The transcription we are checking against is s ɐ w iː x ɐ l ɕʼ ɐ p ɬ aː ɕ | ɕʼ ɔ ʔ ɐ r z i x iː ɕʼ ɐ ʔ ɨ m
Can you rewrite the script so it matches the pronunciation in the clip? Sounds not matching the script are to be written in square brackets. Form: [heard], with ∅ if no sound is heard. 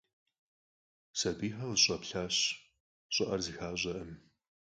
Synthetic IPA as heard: s ɐ [b] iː [ħ] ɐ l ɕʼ ɐ p ɬ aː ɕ | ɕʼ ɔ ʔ ɐ r z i x [aː] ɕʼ ɐ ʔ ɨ m